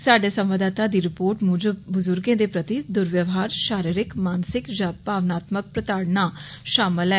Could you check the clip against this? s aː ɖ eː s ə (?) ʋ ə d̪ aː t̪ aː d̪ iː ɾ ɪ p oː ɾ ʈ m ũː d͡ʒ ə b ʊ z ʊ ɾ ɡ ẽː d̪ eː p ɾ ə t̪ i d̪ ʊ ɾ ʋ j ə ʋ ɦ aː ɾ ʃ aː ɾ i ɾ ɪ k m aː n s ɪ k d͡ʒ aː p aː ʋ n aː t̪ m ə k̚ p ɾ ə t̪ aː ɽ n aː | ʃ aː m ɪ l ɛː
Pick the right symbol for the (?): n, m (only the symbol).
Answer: m